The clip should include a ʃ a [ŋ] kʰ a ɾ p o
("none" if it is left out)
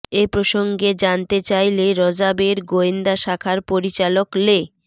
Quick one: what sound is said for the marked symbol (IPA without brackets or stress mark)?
none